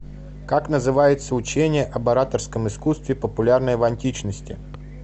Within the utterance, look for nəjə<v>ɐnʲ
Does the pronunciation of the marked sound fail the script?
no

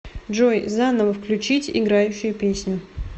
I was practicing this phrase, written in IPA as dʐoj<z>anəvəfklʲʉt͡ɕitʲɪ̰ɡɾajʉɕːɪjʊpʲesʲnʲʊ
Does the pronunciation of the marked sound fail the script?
no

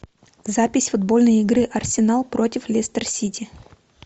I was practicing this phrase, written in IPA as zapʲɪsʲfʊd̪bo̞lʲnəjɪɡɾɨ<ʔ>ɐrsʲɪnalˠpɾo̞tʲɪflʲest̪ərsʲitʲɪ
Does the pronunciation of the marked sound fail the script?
no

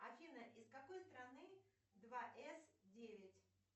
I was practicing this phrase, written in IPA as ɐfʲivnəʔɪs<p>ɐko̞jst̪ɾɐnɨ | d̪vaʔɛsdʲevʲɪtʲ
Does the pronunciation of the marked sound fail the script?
yes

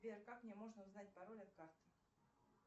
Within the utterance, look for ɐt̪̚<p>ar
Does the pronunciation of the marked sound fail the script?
yes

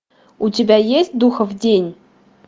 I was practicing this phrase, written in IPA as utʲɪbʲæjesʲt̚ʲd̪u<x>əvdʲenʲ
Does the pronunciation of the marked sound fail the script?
no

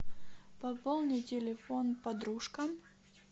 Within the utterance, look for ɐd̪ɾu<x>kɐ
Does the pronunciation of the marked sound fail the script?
yes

